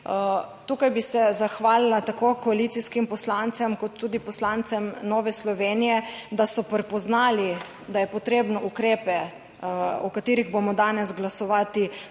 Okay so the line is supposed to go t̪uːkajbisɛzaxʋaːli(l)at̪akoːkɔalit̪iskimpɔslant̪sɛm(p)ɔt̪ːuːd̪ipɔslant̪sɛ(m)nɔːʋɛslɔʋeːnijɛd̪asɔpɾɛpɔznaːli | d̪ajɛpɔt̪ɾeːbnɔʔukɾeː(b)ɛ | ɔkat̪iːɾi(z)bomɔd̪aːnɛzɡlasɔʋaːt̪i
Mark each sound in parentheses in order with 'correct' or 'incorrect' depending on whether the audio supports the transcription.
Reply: correct, incorrect, correct, incorrect, incorrect

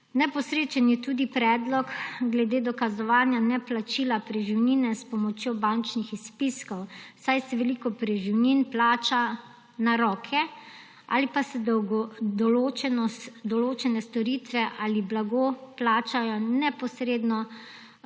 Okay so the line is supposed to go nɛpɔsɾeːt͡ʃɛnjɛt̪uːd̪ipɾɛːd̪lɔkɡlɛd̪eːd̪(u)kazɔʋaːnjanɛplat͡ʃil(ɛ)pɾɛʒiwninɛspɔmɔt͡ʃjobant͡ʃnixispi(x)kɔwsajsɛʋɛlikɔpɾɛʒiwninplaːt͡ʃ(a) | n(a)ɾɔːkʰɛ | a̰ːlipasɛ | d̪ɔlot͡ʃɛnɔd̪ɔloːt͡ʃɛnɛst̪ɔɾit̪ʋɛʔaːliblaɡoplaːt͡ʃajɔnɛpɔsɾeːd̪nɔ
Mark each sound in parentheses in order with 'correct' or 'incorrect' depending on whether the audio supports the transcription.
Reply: incorrect, incorrect, incorrect, correct, correct

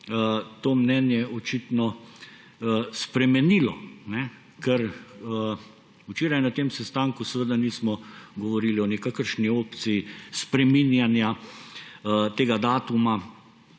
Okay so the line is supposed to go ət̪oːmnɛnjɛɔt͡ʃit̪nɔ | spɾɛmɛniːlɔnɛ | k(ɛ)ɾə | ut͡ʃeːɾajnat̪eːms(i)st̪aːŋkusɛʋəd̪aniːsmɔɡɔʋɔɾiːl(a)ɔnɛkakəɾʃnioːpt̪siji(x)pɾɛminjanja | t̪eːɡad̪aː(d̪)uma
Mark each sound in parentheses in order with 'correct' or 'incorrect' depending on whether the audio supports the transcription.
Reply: correct, incorrect, incorrect, incorrect, incorrect

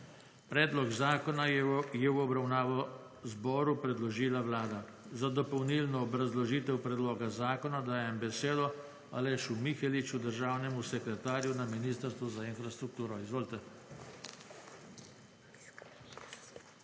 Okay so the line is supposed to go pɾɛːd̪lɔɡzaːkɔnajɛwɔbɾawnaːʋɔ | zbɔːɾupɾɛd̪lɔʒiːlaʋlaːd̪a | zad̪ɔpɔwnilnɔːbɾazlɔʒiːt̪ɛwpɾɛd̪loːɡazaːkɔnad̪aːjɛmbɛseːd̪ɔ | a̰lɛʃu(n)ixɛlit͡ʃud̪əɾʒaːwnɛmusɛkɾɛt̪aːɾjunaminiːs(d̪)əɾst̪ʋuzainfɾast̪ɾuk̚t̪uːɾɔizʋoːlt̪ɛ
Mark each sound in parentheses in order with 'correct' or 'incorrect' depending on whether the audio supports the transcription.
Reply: incorrect, incorrect

